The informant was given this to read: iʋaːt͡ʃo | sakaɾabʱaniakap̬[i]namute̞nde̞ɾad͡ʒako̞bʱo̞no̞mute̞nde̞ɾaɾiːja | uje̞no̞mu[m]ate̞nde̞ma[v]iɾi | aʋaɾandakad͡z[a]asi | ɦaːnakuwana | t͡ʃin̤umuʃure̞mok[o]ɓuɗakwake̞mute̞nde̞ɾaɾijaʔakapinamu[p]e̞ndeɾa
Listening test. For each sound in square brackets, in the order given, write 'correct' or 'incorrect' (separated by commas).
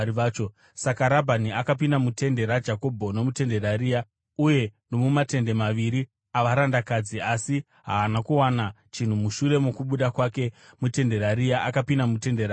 correct, correct, incorrect, incorrect, incorrect, incorrect